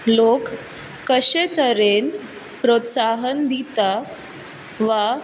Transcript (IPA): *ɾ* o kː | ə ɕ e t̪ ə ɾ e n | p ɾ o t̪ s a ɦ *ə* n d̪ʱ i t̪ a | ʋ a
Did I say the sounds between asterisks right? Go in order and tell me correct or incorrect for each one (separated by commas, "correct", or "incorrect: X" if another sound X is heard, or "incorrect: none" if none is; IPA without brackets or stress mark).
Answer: incorrect: l, correct